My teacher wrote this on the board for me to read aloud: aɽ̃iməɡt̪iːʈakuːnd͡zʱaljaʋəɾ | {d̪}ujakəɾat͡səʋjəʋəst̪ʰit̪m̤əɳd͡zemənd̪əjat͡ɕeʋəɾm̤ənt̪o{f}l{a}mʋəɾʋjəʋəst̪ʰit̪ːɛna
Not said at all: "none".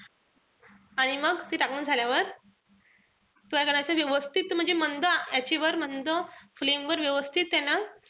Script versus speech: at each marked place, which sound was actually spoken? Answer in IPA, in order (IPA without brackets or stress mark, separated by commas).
t̪, f, e